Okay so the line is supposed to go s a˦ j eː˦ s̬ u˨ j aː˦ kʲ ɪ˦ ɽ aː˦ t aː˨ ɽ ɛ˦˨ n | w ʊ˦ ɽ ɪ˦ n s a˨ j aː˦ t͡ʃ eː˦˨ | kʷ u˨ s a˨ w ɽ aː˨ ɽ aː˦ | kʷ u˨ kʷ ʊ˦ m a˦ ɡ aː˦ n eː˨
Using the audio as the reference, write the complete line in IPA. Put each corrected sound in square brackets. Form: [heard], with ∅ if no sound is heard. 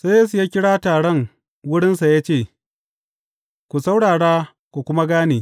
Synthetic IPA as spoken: s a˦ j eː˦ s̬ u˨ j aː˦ kʲ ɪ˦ ɽ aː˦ t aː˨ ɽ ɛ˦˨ [ŋ] | w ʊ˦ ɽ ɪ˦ n s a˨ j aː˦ t͡ʃ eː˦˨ | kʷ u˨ s [a˦] w ɽ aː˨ ɽ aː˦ | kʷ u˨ kʷ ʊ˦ m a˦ ɡ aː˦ n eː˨